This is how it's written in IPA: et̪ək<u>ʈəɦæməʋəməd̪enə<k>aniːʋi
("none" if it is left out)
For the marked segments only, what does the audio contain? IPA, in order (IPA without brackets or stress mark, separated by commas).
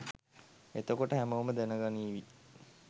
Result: o, ɡ